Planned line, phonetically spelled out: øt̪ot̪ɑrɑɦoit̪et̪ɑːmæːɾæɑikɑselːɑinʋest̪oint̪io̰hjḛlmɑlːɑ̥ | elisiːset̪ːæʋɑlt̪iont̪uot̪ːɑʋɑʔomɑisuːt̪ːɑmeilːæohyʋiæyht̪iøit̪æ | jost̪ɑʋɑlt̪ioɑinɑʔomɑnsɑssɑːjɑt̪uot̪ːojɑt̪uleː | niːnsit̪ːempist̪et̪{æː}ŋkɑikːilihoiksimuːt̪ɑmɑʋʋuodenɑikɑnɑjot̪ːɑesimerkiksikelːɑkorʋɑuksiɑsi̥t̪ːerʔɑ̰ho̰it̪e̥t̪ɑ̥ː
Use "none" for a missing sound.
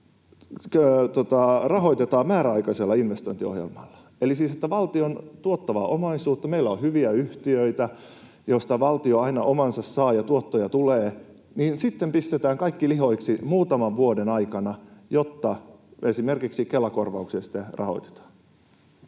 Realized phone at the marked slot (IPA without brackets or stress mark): æː